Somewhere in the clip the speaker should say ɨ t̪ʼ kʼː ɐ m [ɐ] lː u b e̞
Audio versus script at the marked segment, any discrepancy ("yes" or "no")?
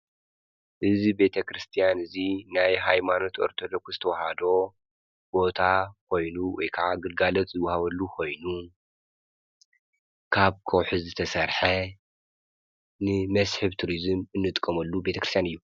no